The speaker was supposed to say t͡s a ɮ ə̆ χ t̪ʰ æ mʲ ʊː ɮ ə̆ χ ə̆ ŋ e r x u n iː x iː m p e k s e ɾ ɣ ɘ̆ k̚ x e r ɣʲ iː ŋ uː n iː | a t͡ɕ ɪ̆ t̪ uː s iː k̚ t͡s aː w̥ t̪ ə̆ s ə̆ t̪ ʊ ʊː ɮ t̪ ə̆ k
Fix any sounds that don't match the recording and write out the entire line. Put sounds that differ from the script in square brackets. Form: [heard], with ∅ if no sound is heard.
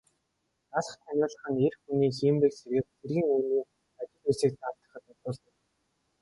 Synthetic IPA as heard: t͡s a ɮ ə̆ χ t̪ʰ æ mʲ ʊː ɮ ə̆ χ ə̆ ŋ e r x u n iː x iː m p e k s e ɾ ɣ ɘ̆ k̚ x e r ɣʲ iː ŋ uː n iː | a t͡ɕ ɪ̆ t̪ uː s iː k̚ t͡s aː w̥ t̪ ə̆ [χ] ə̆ t̪ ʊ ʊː ɮ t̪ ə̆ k

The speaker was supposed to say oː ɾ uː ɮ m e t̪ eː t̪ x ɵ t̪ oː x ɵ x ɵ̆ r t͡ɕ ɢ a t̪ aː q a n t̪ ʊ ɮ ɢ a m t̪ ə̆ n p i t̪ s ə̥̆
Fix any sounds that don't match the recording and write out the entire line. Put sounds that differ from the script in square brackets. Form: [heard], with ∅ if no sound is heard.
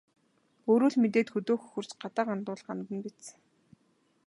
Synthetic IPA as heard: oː ɾ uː ɮ m e t̪ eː t̪ x ɵ t̪ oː x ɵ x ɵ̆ r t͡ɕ ɢ a t̪ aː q a n t̪ [ʊː] ɮ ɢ a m t̪ ə̆ n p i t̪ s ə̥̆

